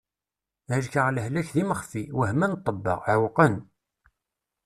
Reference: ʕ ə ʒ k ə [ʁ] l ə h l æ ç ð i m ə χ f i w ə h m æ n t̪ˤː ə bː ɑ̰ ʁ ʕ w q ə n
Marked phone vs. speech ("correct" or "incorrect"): correct